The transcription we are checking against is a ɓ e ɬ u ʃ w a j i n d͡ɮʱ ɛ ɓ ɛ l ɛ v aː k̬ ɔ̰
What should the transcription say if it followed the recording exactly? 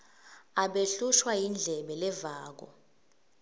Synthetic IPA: a ɓ e ɬ u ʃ w a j i n d͡ɮʱ ɛ ɓ ɛ l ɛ v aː k̬ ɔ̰